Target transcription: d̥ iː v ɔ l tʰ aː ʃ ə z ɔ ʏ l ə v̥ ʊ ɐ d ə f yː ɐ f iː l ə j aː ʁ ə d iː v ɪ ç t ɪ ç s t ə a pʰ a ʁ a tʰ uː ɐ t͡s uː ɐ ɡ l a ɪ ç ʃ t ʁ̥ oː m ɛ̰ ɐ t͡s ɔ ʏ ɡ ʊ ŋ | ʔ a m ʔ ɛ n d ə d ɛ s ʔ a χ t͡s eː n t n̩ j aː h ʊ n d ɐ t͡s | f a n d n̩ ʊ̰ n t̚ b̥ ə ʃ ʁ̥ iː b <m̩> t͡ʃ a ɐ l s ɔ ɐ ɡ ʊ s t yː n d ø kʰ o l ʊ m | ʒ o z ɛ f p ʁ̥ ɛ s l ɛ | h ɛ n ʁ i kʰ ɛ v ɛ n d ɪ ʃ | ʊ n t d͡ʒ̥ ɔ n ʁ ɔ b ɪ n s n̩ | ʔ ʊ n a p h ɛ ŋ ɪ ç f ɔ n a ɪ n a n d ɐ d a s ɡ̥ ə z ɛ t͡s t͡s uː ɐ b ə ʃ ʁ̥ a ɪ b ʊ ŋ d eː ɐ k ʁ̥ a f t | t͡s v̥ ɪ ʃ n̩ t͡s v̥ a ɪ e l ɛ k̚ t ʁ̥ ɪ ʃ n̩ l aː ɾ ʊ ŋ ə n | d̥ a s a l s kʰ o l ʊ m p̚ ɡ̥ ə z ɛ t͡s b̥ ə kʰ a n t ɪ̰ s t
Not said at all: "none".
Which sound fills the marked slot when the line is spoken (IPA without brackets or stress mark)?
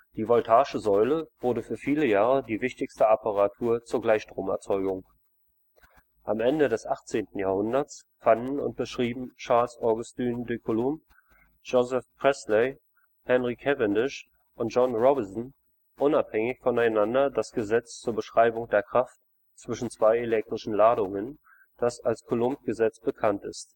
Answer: m̩